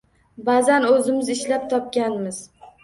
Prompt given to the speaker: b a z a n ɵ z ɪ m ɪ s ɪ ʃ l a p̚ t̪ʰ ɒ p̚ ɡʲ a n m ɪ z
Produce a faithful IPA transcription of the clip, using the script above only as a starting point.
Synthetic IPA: b a z a n ɵ z ɪ m ɪ z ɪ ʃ l a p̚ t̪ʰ ɒ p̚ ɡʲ a n m ɪ z